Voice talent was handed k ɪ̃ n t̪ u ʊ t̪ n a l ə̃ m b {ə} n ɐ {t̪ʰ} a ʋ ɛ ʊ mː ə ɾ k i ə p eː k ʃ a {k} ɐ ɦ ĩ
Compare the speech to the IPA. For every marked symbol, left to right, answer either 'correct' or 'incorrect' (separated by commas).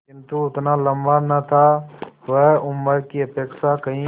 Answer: incorrect, correct, correct